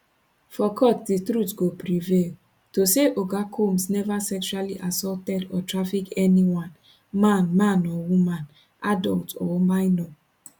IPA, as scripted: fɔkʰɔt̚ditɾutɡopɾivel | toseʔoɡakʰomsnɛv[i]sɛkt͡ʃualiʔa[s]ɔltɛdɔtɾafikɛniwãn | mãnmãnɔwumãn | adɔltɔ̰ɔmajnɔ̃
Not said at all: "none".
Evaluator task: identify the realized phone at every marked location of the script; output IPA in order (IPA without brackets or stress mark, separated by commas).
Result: a, s